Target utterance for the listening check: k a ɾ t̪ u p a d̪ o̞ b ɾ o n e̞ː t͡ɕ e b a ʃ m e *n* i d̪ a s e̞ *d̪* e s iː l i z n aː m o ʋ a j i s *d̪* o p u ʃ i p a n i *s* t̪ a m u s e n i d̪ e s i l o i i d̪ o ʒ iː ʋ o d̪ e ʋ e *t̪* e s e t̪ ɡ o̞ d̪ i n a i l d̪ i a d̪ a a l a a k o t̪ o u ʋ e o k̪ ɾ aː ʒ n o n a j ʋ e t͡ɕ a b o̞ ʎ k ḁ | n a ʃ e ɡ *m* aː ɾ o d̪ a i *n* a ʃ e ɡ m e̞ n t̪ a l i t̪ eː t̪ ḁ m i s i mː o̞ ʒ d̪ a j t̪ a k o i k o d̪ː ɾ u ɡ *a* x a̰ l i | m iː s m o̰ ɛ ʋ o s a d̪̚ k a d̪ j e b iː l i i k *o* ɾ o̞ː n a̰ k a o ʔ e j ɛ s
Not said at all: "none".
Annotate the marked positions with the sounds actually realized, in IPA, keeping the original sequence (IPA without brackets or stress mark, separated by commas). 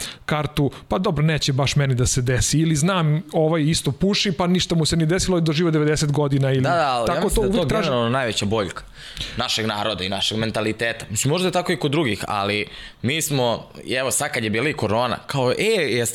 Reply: n, d̪, t̪, ʃ, d̪, n, n, i, o